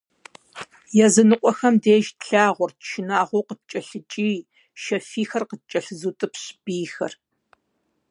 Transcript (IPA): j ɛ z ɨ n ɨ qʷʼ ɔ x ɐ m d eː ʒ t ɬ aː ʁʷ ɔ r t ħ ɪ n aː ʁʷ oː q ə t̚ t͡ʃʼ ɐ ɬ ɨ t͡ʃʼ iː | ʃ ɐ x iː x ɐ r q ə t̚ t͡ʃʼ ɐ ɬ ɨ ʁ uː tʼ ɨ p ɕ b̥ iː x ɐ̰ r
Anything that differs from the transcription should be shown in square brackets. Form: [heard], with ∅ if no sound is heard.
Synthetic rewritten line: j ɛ z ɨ n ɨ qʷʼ ɔ x ɐ m d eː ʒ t ɬ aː ʁʷ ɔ r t [ʃ] ɪ n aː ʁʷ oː q ə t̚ t͡ʃʼ ɐ ɬ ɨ t͡ʃʼ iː | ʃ ɐ [f] iː x ɐ r q ə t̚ t͡ʃʼ ɐ ɬ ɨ [z] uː tʼ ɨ p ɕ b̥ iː x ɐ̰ r

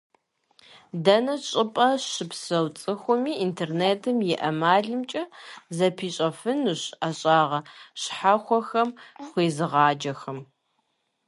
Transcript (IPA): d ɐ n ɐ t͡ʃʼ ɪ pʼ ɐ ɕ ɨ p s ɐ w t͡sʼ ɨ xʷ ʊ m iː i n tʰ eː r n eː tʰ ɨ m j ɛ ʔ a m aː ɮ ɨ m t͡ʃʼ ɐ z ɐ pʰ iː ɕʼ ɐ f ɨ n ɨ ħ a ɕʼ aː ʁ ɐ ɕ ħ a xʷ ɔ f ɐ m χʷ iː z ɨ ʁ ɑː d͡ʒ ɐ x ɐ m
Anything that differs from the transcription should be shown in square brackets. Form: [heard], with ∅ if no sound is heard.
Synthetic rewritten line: d ɐ n ɐ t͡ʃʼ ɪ pʼ ɐ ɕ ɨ p s ɐ w t͡sʼ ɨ xʷ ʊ m iː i n tʰ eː r n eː tʰ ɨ m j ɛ ʔ [ɐ] m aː ɮ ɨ m t͡ʃʼ ɐ z ɐ pʰ iː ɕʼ ɐ f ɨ n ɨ [ɕ] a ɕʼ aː ʁ ɐ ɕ ħ a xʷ ɔ [x] ɐ m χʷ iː z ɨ ʁ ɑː d͡ʒ ɐ x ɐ m

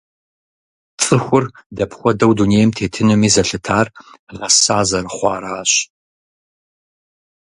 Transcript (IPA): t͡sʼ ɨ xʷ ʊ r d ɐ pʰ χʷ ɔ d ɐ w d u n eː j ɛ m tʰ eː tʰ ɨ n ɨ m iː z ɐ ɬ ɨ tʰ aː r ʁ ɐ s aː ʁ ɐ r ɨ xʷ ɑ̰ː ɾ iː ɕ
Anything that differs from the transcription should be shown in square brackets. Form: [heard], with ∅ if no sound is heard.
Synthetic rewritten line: t͡sʼ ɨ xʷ ʊ r d ɐ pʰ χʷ ɔ d ɐ w d u n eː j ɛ m tʰ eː tʰ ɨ n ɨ m iː z ɐ ɬ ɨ tʰ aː r ʁ ɐ s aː [z] ɐ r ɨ [χʷ] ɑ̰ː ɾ [aː] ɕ

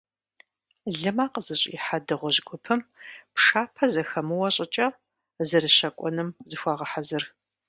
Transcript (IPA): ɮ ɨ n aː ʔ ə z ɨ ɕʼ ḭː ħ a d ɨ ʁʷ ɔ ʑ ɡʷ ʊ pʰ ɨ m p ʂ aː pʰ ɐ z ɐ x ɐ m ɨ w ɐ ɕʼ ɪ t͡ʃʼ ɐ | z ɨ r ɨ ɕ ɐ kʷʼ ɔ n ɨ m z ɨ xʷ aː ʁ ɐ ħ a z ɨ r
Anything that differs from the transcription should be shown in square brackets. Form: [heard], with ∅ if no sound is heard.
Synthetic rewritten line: ɮ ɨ [m] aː [q] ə z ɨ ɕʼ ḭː ħ a d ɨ ʁʷ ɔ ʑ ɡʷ ʊ pʰ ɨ m p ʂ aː pʰ ɐ z ɐ x ɐ m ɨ w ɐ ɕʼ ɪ t͡ʃʼ ɐ | z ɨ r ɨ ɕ ɐ kʷʼ ɔ n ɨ m z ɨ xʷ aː ʁ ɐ ħ a z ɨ r

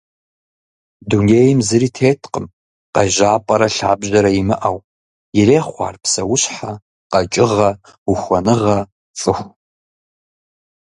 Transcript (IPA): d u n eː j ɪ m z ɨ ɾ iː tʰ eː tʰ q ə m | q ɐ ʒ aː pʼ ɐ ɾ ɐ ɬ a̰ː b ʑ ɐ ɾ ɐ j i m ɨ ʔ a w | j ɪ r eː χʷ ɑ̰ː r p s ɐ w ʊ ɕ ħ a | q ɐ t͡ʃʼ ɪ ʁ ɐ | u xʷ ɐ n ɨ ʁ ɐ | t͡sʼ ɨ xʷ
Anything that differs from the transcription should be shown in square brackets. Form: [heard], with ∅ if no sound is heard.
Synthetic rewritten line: d u n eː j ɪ m z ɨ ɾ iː tʰ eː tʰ q ə m | q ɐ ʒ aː pʼ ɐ ɾ ɐ ɬ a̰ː b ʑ ɐ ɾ ɐ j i m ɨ ʔ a w | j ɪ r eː χʷ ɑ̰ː r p s ɐ w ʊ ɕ ħ a | q ɐ t͡ʃʼ ɪ ʁ ɐ | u xʷ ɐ n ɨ ʁ ɐ | t͡sʼ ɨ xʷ

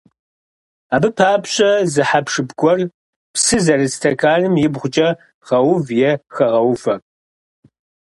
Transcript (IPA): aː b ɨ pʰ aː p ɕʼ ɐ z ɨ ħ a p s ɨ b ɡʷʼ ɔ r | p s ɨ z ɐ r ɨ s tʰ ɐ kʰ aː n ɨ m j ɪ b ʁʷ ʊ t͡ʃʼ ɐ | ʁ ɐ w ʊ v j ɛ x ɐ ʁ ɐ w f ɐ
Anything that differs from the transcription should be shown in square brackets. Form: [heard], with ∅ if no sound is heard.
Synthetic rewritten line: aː b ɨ pʰ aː p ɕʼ ɐ z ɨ ħ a p [ʂ] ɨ b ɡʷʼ ɔ r | p s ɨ z ɐ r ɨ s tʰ ɐ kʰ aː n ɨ m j ɪ b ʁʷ ʊ t͡ʃʼ ɐ | ʁ ɐ w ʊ v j ɛ x ɐ ʁ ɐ w f ɐ

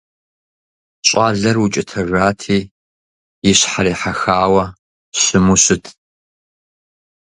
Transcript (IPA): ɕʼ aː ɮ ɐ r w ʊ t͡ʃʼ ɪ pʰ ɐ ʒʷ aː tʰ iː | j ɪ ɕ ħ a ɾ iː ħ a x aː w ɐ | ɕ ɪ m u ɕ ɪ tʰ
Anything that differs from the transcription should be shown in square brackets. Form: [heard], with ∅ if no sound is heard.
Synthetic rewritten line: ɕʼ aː ɮ ɐ r w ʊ t͡ʃʼ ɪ [tʰ] ɐ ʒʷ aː tʰ iː | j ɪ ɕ ħ a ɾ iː ħ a x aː w ɐ | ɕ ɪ m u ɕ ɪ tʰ

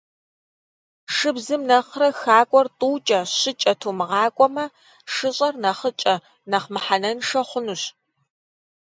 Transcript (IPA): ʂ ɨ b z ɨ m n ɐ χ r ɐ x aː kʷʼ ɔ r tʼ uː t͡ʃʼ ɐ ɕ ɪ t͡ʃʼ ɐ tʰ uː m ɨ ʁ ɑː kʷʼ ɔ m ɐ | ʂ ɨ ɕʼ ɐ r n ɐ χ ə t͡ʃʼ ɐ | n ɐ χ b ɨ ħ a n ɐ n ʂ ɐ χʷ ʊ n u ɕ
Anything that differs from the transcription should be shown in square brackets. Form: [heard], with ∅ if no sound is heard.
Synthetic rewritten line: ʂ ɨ b z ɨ m n ɐ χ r ɐ x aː kʷʼ ɔ r tʼ uː t͡ʃʼ ɐ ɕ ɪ t͡ʃʼ ɐ tʰ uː m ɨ ʁ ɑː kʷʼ ɔ m ɐ | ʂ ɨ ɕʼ ɐ r n ɐ χ ə t͡ʃʼ ɐ | n ɐ χ [m] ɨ ħ a n ɐ n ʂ ɐ χʷ ʊ n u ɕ

